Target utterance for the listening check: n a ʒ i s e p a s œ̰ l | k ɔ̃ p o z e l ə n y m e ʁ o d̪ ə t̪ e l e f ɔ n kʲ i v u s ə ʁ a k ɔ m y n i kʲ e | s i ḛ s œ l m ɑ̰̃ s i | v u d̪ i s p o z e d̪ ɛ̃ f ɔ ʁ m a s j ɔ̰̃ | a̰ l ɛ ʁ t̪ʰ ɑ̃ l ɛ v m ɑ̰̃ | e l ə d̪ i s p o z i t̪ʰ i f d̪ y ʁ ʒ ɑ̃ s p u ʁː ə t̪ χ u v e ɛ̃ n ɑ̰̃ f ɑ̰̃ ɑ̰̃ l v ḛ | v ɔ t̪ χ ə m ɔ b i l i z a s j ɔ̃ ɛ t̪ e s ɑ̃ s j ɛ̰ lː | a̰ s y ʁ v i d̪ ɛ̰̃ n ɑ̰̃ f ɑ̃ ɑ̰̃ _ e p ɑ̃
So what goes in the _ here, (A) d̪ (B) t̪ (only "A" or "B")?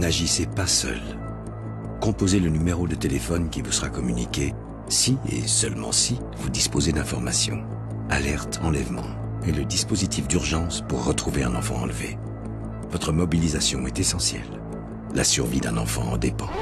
A